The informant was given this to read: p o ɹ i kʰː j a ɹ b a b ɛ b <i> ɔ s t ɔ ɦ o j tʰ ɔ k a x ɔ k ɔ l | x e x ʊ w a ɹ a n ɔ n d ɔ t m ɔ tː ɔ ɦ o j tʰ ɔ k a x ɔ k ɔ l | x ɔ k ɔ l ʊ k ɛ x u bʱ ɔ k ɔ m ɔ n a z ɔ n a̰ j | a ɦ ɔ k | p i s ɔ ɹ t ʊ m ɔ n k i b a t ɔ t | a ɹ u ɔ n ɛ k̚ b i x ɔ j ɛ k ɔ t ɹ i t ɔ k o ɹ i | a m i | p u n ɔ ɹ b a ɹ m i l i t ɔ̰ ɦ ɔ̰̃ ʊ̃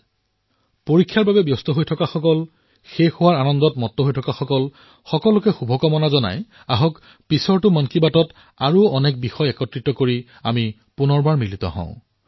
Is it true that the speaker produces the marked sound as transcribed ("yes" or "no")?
no